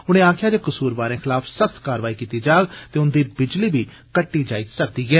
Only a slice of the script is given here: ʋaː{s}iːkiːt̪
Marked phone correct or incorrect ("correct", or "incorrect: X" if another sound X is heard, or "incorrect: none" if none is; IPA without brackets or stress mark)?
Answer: incorrect: none